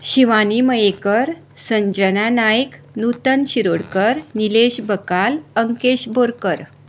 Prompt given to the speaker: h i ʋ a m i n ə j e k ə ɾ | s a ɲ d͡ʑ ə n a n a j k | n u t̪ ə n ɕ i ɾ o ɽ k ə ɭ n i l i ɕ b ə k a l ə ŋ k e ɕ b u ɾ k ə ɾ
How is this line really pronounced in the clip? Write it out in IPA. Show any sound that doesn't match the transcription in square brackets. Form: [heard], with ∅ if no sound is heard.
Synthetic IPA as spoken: [ɕ] i ʋ a [n] i [m] ə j e k ə ɾ | s [ə] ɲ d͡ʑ ə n a n a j k | n u t̪ ə n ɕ i ɾ o ɽ k ə [ɾ] n i l [e] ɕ b ə k a l ə ŋ k e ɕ b [o] ɾ k ə ɾ

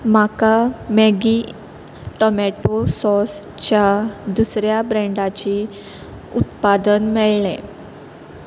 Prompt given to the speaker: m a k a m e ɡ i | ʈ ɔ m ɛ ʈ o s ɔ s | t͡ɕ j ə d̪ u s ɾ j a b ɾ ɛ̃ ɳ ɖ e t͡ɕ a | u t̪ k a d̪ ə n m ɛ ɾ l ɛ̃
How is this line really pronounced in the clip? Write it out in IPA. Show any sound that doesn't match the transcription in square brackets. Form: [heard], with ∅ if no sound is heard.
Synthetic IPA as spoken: m a k a m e ɡ i | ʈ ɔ m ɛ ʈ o s ɔ s | t͡ɕ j [a] d̪ u s ɾ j a b ɾ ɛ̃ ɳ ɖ [a] t͡ɕ [i] | u t̪ [p] a d̪ ə n m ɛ [ɭ] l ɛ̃

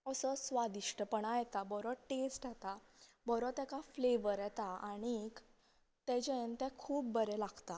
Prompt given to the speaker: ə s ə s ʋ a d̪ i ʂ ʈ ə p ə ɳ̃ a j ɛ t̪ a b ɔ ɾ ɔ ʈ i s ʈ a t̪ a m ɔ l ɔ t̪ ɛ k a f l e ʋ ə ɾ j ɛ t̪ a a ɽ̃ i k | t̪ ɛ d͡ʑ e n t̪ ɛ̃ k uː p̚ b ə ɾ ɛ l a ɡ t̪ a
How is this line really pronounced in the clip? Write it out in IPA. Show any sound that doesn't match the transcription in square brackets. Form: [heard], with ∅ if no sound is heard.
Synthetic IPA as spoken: ə s ə s ʋ a d̪ i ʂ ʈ ə p ə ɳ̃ a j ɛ t̪ a b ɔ ɾ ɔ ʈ [e] s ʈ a t̪ a [b] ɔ [ɾ] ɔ t̪ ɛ k a f l e ʋ ə ɾ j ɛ t̪ a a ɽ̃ i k | t̪ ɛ d͡ʑ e n t̪ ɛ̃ [kʰ] uː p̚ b ə ɾ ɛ l a ɡ t̪ a

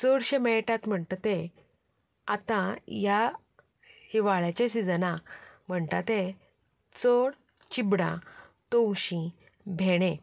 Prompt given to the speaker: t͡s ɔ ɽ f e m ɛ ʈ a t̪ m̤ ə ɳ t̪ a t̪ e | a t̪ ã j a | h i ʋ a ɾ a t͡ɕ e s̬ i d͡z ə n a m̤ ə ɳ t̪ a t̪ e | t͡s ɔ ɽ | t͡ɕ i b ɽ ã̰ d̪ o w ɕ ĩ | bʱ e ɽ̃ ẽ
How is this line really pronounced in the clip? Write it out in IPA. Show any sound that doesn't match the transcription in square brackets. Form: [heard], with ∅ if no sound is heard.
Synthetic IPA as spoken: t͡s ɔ ɽ [ɕ] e m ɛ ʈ a t̪ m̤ ə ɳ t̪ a t̪ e | a t̪ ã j a | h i ʋ a [ɭ] a t͡ɕ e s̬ i d͡z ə n a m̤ ə ɳ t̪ a t̪ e | t͡s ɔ ɽ | t͡ɕ i b ɽ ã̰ [t̪] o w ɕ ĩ | bʱ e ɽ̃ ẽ

